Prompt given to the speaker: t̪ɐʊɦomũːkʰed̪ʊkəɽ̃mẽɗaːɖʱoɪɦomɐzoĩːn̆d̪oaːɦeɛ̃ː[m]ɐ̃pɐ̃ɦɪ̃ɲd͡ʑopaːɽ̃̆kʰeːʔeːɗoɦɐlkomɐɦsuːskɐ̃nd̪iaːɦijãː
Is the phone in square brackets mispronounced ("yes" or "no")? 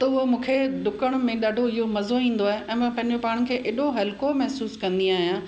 no